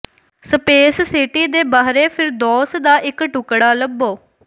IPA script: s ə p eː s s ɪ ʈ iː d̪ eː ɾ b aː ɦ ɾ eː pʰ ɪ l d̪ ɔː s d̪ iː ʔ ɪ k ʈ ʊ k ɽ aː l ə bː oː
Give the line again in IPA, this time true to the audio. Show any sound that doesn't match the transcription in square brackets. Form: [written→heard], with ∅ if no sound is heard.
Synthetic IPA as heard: s ə p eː s s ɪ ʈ iː d̪ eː [ɾ→∅] b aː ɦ ɾ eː pʰ ɪ [l→ɾ] d̪ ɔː s d̪ [iː→aː] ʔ ɪ k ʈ ʊ k ɽ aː l ə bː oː